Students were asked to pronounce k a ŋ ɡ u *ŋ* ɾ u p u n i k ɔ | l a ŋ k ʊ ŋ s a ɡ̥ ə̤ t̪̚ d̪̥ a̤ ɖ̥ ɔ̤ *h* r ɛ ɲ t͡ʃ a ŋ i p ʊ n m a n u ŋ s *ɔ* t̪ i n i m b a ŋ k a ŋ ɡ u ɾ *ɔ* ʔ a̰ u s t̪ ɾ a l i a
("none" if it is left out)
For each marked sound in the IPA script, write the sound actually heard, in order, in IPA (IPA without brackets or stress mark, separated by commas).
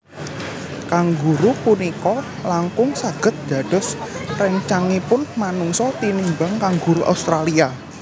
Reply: none, s, ɔ, u